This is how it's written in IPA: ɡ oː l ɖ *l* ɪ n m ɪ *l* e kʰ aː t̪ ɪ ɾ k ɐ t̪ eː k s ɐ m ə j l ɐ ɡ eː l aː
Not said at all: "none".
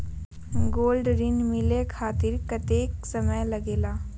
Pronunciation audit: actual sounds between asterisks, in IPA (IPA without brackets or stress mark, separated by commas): ɾ, l